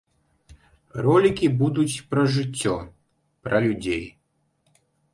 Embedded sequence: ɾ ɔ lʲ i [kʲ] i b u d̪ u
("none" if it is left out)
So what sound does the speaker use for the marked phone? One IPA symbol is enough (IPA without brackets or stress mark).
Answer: kʲ